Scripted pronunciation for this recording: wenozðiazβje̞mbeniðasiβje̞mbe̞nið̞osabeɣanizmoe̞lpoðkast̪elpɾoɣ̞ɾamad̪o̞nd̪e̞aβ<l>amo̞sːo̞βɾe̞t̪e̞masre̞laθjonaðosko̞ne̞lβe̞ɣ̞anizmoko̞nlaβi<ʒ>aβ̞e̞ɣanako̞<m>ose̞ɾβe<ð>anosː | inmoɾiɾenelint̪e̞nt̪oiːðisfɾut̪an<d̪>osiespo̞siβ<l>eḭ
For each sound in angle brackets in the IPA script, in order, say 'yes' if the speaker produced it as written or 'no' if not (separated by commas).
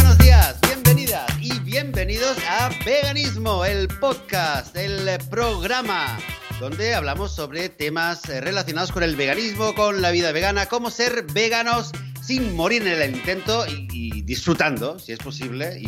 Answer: yes, no, yes, no, yes, yes